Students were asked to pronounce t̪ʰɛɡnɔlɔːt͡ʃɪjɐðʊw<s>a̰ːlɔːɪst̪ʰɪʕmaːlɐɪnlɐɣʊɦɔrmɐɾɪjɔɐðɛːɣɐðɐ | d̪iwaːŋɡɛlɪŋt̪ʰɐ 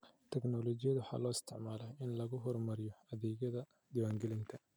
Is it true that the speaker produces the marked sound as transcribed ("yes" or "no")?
no